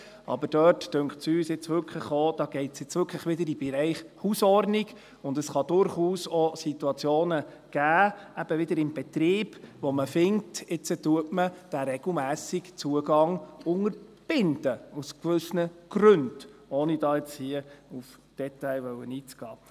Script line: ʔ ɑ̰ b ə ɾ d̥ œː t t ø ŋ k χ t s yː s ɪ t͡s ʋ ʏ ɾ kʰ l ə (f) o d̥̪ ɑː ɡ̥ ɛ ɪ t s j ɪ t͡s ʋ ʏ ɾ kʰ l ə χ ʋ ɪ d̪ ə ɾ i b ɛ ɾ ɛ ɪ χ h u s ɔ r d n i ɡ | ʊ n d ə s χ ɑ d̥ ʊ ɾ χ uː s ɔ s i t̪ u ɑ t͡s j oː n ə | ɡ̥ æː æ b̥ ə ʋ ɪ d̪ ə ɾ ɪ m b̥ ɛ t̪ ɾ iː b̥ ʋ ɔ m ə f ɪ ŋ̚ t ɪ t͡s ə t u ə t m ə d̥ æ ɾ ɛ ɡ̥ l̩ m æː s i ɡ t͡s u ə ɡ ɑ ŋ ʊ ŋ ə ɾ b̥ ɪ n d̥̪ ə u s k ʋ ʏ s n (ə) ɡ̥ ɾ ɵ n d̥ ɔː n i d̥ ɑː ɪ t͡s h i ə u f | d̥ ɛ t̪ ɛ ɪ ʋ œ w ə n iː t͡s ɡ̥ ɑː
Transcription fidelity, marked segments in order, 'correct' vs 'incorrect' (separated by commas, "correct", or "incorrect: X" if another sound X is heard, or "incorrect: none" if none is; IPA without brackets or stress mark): incorrect: χ, correct